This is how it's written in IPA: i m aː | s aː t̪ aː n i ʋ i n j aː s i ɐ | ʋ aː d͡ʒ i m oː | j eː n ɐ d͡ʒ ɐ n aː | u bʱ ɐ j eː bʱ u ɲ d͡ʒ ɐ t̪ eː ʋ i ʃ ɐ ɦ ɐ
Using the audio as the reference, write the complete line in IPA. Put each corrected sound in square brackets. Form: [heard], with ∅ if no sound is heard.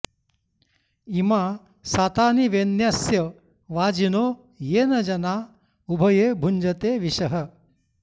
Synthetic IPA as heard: i m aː | s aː t̪ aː n i ʋ [e] n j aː s [j] ɐ | ʋ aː d͡ʒ i [n] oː | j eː n ɐ d͡ʒ ɐ n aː | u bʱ ɐ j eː bʱ u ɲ d͡ʒ ɐ t̪ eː ʋ i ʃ ɐ ɦ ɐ